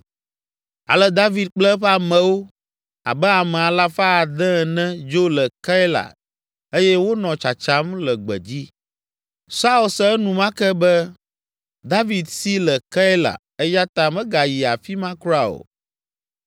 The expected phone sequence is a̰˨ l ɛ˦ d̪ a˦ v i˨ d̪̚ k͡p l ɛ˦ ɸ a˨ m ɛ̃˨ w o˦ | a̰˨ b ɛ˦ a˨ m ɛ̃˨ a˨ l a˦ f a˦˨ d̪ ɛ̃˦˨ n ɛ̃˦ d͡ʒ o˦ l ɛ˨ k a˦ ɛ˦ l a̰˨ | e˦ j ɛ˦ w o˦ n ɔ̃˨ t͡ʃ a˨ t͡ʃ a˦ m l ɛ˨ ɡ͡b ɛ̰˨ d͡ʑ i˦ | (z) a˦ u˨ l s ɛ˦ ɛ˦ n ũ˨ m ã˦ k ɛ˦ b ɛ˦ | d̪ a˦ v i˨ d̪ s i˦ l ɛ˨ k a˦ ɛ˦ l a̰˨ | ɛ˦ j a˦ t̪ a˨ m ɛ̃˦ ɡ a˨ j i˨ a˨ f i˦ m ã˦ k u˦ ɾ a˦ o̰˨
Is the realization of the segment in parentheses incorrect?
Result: yes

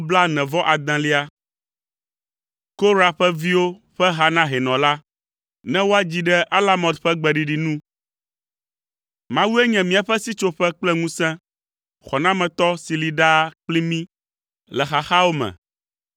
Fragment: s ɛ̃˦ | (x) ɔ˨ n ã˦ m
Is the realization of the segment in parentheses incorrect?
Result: no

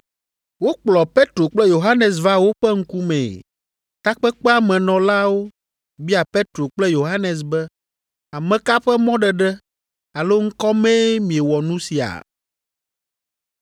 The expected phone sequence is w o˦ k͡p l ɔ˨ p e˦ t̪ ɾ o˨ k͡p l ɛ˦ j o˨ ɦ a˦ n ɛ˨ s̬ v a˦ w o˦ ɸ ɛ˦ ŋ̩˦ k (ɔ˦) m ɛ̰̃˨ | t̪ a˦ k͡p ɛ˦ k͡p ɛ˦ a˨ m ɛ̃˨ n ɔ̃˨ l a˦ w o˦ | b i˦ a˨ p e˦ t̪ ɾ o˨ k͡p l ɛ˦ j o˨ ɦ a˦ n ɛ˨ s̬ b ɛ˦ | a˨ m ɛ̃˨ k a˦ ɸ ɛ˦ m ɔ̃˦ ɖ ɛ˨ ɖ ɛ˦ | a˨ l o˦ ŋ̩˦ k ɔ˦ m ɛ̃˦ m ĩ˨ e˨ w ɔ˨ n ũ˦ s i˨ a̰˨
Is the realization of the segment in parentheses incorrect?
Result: yes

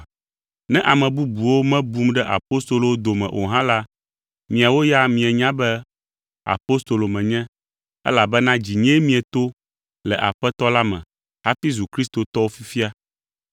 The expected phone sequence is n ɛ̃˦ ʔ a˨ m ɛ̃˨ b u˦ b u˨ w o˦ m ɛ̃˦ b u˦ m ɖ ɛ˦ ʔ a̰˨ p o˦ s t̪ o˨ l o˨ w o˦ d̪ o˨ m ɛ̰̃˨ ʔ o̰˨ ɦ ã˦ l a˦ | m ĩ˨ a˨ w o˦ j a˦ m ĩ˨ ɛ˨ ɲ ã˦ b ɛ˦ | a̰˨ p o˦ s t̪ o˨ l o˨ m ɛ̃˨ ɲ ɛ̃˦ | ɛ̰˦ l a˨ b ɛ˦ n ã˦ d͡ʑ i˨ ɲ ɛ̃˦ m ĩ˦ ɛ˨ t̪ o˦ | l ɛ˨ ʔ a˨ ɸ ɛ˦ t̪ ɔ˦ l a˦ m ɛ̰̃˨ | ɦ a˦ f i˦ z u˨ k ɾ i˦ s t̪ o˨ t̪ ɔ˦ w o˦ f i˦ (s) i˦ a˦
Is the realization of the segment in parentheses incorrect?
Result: yes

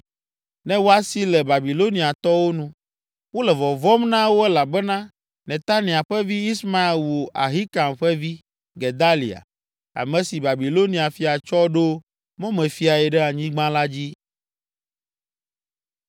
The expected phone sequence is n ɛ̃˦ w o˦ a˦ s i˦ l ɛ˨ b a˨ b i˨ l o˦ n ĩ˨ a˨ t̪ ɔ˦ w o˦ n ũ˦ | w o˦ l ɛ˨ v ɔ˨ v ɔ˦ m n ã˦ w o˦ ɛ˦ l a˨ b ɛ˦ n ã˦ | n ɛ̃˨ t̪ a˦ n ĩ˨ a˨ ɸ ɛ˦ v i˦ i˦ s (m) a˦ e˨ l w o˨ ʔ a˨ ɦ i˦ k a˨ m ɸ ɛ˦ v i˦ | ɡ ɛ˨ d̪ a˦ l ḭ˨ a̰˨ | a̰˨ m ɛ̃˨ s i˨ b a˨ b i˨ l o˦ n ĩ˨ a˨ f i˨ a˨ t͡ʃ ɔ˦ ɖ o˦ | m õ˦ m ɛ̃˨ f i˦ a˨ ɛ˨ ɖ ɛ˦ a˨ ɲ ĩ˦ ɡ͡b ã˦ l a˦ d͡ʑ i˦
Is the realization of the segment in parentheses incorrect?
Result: no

